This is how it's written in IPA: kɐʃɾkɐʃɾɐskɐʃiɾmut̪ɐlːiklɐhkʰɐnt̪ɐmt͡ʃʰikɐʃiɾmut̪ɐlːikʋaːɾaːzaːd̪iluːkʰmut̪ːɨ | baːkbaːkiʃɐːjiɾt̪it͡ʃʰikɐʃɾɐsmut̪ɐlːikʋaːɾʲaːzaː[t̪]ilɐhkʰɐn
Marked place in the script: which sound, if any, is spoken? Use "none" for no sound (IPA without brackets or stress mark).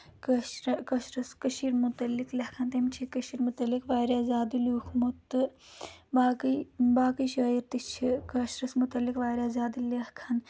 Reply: d̪